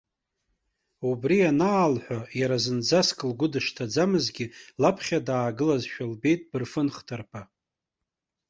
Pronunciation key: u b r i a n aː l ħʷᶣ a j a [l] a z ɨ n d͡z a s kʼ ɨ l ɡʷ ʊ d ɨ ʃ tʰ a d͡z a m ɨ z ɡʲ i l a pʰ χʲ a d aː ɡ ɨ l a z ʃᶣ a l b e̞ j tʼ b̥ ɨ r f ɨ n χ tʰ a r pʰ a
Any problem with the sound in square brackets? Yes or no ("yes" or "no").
yes